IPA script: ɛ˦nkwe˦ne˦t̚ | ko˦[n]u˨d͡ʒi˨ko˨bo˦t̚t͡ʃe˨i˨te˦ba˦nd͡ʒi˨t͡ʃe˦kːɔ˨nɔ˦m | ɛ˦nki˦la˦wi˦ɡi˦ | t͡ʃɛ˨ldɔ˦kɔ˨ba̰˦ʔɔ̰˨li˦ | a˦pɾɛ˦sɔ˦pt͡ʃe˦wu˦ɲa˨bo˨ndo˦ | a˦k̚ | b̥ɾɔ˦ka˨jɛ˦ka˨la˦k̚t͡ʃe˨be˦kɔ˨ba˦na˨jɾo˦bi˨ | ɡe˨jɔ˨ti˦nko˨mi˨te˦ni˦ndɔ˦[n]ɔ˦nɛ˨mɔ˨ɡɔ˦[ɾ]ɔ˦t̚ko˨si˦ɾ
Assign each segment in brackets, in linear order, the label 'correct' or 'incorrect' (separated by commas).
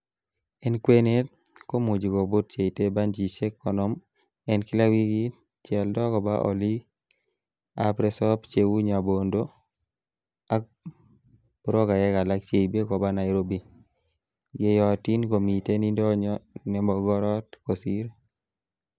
incorrect, incorrect, correct